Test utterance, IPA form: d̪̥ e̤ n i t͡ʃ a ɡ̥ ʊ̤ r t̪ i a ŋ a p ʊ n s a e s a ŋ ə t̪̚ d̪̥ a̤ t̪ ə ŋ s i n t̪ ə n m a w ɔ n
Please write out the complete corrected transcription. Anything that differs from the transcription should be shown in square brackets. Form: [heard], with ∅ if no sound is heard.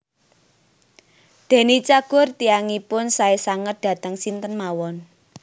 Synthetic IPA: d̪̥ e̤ n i t͡ʃ a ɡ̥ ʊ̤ r t̪ i a ŋ [i] p ʊ n s a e s a ŋ ə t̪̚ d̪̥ a̤ t̪ ə ŋ s i n t̪ ə n m a w ɔ n